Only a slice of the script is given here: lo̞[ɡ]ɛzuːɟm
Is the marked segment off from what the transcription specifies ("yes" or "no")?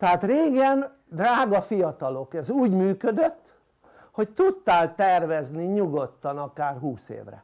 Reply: yes